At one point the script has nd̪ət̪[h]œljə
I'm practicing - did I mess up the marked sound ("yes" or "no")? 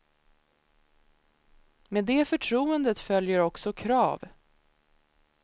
yes